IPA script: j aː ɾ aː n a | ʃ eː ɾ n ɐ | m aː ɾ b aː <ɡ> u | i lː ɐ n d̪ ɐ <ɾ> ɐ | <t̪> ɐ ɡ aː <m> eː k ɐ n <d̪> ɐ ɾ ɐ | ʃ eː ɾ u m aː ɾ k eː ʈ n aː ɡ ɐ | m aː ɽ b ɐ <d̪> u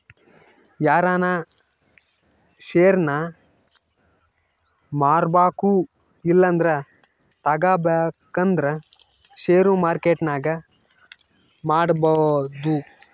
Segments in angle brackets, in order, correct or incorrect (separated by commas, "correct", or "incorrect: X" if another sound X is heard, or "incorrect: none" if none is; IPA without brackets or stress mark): incorrect: k, correct, correct, incorrect: b, correct, correct